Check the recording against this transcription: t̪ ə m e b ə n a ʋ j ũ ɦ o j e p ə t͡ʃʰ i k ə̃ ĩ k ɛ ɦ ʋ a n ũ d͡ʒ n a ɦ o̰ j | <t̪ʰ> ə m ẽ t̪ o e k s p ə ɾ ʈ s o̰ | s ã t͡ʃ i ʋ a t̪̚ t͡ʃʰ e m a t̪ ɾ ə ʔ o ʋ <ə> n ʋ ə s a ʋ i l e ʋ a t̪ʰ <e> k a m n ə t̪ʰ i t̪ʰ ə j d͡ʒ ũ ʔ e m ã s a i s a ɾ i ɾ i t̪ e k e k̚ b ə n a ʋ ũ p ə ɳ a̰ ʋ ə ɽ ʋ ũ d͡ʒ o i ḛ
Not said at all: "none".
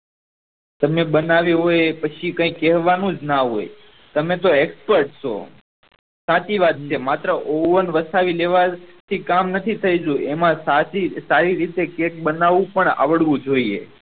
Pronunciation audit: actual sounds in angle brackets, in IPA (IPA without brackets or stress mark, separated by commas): t̪, ə, i